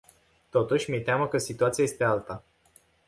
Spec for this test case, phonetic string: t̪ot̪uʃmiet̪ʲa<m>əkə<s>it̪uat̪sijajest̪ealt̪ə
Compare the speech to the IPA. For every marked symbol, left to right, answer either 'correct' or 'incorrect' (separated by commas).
correct, correct